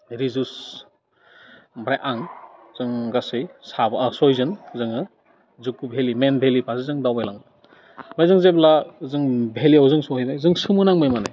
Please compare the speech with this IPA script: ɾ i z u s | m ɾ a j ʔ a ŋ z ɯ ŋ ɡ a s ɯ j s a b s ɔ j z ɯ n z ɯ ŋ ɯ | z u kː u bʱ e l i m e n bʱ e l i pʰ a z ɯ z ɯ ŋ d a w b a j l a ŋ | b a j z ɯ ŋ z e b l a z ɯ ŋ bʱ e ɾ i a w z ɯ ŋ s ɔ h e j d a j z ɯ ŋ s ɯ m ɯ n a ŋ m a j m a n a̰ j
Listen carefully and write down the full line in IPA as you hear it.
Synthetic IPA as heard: ɾ i z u s | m ɾ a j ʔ a ŋ z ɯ ŋ ɡ a s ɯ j s a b s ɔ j z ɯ n z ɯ ŋ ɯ | z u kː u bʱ e l i m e n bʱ e l i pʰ a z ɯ z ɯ ŋ d a w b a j l a ŋ | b a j z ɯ ŋ z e b l a z ɯ ŋ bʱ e l i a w z ɯ ŋ s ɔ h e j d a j z ɯ ŋ s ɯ m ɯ n a ŋ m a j m a n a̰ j